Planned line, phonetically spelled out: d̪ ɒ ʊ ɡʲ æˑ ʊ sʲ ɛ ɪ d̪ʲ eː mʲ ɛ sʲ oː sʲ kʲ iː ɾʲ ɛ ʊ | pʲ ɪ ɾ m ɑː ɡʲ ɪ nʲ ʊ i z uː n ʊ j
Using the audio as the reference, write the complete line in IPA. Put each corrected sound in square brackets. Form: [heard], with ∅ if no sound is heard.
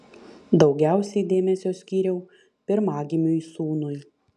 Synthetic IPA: d̪ ɒ ʊ ɡʲ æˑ ʊ sʲ ɛ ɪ d̪ʲ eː mʲ ɛ sʲ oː sʲ kʲ iː ɾʲ ɛ ʊ | pʲ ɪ ɾ m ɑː ɡʲ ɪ [mʲ] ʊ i [s] uː n ʊ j